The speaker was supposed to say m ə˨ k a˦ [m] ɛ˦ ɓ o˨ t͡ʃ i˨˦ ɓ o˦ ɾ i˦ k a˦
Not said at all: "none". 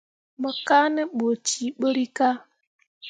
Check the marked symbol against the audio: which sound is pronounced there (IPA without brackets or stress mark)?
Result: n